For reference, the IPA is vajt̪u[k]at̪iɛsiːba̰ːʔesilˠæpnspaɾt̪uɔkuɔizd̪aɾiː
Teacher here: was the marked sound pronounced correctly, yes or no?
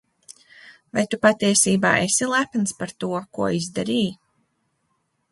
no